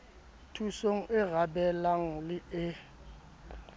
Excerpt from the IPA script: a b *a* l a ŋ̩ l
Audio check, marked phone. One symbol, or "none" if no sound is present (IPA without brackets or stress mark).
ɛ